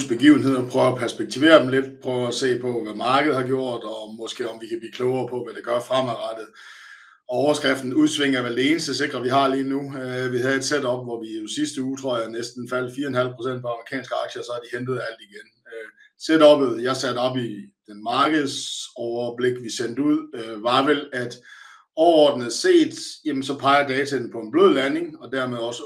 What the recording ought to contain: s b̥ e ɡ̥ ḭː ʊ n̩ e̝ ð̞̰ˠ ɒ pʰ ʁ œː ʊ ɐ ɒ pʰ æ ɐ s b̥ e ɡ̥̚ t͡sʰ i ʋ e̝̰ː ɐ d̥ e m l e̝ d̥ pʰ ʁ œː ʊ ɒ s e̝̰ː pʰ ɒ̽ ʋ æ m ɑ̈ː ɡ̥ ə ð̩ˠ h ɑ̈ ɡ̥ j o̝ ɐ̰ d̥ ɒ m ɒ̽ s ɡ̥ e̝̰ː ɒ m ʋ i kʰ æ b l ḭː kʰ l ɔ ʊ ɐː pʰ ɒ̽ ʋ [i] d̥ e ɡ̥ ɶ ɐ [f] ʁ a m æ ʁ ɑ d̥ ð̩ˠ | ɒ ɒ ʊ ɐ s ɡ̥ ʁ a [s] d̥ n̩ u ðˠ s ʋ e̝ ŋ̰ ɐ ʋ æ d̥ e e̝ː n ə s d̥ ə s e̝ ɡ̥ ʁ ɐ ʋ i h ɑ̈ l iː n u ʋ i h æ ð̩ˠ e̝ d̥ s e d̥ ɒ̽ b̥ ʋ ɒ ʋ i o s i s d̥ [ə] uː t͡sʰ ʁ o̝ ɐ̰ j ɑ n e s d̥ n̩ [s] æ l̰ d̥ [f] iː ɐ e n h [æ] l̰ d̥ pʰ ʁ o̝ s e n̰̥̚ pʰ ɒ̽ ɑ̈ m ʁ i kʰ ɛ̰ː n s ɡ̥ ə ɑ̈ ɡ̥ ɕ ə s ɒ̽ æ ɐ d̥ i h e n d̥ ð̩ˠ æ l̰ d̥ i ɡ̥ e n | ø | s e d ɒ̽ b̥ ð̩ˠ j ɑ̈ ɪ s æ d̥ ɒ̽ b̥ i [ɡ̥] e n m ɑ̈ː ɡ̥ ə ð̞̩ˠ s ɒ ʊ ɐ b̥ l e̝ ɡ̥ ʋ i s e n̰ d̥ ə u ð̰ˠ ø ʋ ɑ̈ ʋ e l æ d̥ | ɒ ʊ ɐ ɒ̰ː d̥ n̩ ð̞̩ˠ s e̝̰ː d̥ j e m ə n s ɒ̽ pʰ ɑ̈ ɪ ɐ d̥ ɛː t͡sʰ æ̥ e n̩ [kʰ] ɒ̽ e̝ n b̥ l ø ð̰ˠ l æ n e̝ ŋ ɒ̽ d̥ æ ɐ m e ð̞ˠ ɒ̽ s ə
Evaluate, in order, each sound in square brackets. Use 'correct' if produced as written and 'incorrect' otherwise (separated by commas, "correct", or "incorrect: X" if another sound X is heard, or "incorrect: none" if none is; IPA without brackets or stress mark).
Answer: incorrect: æ, correct, incorrect: f, correct, incorrect: f, correct, correct, incorrect: d̥, incorrect: pʰ